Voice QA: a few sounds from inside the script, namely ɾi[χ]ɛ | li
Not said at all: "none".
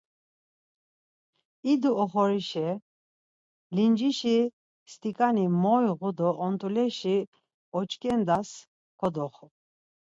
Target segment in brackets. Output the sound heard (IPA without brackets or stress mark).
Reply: ʃ